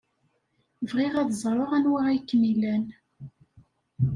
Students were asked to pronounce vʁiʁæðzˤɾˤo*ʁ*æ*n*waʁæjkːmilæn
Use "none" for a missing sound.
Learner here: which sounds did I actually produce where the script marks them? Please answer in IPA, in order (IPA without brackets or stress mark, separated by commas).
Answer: ʁ, n